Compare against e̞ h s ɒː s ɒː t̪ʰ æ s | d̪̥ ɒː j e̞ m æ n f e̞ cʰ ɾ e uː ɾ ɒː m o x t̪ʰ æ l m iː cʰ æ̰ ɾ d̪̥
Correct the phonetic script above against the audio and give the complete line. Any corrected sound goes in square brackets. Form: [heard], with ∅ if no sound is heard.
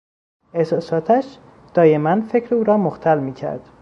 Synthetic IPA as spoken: e̞ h s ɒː s ɒː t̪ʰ æ [ʃ] | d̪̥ ɒː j e̞ m æ n f e̞ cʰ ɾ e uː ɾ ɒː m o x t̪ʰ æ l m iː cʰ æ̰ ɾ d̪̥

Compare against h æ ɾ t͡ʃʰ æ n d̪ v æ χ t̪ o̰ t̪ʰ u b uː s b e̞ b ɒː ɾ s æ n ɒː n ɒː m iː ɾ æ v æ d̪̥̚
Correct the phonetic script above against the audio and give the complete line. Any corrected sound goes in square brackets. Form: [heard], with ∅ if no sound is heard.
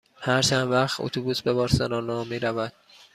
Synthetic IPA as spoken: h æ ɾ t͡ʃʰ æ n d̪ v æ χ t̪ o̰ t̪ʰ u b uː s b e̞ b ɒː ɾ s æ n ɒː n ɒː m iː ɾ æ v æ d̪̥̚

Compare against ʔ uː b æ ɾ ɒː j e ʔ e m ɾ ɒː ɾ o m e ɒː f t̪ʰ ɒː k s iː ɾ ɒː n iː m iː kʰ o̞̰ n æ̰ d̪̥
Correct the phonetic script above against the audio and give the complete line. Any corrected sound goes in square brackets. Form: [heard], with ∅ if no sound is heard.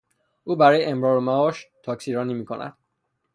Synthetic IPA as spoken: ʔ uː b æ ɾ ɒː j e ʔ e m ɾ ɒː ɾ o m [æ] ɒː [ʃ] t̪ʰ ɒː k s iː ɾ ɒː n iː m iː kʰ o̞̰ n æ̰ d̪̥

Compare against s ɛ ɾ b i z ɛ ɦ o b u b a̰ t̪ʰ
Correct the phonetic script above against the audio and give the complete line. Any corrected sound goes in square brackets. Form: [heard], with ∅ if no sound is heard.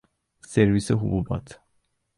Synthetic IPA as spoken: s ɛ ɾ [v] i [s] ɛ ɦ [u] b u b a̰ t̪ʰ

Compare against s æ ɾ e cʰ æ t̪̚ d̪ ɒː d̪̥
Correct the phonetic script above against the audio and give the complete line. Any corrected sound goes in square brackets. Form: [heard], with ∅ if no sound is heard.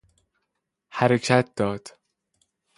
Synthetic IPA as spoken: [h] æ ɾ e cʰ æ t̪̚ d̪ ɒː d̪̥

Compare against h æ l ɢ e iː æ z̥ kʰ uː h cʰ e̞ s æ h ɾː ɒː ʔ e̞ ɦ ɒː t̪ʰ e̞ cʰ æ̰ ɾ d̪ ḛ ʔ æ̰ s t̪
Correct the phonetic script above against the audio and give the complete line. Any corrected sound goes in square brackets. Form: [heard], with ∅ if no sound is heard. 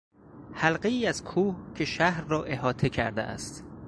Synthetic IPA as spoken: h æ l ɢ e iː æ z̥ kʰ uː h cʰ e̞ [ʃ] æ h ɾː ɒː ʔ e̞ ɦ ɒː t̪ʰ e̞ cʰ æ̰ ɾ d̪ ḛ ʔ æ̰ s t̪

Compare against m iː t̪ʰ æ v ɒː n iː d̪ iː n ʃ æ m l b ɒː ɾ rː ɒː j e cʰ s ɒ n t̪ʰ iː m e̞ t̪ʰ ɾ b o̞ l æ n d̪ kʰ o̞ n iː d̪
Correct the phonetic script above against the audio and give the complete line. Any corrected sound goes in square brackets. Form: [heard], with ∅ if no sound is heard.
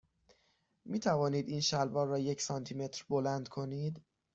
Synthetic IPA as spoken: m iː t̪ʰ æ v ɒː n iː d̪ iː n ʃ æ [∅] l b ɒː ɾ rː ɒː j e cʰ s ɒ n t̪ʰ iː m e̞ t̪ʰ ɾ b o̞ l æ n d̪ kʰ o̞ n iː d̪

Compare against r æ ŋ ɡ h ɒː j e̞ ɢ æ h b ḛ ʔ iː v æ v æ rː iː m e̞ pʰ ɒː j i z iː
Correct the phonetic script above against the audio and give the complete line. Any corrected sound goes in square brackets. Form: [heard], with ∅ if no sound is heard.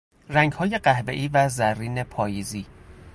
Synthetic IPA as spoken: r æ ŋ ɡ h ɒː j e̞ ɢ æ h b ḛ ʔ iː v æ [z] æ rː iː [n] e̞ pʰ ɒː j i z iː

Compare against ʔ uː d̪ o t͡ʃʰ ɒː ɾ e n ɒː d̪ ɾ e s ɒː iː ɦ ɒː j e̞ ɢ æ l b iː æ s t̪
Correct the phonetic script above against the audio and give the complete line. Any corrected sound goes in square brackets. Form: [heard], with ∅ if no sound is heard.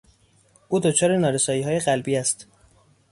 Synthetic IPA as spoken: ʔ uː d̪ o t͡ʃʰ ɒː ɾ e n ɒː [∅] ɾ e s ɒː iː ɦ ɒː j e̞ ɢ æ l b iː æ s t̪

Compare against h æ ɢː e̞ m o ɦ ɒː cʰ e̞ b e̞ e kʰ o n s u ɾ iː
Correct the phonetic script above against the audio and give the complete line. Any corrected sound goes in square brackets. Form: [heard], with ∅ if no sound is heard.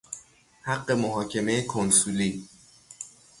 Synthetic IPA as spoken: h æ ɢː e̞ m o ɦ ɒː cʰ e̞ [m] e̞ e kʰ o n s u [l] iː

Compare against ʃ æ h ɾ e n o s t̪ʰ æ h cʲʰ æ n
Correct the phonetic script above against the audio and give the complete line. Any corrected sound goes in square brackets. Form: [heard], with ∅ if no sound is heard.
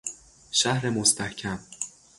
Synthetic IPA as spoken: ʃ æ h ɾ e [m] o s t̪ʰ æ h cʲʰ æ [m]

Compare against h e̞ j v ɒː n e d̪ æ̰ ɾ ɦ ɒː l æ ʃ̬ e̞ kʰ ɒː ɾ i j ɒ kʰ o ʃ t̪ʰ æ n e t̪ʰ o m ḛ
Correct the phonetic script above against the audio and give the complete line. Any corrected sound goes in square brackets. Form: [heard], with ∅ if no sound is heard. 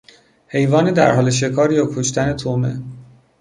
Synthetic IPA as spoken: h e̞ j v ɒː n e d̪ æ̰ ɾ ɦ ɒː l [e] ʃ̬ e̞ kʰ ɒː ɾ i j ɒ kʰ o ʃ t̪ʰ æ n e t̪ʰ o m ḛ

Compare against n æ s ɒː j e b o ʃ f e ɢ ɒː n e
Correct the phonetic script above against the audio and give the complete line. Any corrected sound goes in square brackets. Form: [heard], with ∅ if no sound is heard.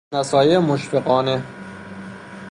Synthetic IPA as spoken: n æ s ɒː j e [m] o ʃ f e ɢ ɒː n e

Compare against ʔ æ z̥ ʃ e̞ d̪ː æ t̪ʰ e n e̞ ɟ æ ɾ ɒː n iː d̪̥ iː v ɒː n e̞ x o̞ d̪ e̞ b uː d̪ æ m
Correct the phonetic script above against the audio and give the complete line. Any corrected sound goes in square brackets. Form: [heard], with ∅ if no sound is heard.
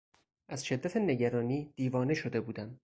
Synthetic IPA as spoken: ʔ æ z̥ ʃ e̞ d̪ː æ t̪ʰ e n e̞ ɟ æ ɾ ɒː n iː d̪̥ iː v ɒː n e̞ [ʃ] o̞ d̪ e̞ b uː d̪ æ m

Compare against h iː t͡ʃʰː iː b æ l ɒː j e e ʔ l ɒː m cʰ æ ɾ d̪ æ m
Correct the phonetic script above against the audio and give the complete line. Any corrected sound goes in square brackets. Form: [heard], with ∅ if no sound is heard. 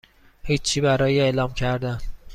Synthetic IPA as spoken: h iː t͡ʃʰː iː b æ [ɾ] ɒː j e e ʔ l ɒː m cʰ æ ɾ d̪ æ [n]

